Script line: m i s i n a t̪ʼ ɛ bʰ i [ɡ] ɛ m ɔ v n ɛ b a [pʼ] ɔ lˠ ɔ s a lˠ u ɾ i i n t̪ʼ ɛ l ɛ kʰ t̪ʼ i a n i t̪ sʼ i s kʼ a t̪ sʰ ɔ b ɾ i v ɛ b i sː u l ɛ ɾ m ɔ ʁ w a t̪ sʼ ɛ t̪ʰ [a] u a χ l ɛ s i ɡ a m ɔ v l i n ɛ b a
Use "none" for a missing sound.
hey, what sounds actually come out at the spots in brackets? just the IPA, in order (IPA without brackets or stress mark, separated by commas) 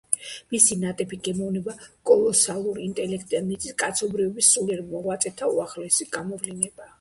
ɡ, kʼ, a